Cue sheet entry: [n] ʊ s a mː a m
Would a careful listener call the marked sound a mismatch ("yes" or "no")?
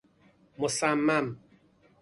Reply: yes